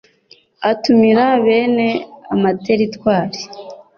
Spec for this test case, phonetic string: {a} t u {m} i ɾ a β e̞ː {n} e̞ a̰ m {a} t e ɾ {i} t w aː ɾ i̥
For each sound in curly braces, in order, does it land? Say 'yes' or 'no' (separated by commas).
yes, yes, yes, yes, yes